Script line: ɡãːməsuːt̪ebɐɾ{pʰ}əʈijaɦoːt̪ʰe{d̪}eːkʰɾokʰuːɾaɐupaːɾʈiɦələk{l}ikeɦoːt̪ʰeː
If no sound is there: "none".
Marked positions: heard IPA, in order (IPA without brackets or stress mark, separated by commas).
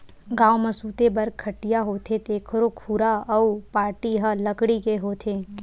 kʰ, t̪, ɽ